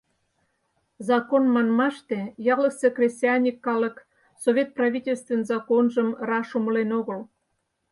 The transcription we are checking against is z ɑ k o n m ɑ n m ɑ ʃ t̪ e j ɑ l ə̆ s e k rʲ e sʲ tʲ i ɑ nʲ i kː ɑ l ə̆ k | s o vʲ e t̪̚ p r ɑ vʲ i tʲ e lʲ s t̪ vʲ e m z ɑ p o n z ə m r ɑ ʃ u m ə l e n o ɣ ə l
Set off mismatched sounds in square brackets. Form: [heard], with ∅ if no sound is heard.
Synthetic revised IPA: z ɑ k o n m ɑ n m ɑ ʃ t̪ e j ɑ l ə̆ s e k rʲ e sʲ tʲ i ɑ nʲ i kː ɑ l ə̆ k | s o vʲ e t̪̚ p r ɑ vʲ i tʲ e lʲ s t̪ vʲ e [n] z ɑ [k] o n [ʒ] ə m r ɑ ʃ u m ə l e n o ɣ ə l